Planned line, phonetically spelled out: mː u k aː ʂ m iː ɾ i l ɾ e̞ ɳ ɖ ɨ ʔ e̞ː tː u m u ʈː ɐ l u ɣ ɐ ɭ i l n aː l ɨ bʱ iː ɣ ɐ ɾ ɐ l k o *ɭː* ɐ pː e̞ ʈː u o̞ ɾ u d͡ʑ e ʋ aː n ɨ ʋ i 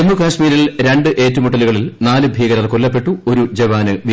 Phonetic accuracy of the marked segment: incorrect: lː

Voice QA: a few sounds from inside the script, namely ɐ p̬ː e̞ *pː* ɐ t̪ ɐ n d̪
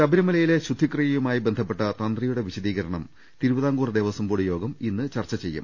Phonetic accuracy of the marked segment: incorrect: ʈː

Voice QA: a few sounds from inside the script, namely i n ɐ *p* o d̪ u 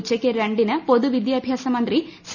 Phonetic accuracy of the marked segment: correct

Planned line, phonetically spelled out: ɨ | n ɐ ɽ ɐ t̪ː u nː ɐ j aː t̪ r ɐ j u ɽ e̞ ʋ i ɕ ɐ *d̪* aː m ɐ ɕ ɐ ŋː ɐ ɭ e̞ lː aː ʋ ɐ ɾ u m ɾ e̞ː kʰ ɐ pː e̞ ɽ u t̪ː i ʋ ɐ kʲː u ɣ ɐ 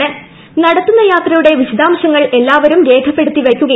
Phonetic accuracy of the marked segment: correct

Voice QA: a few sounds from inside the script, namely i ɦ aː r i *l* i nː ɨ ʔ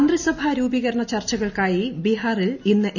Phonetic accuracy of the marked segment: correct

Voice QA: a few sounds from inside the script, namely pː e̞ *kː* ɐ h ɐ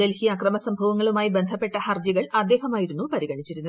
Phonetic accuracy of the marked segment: incorrect: ʈː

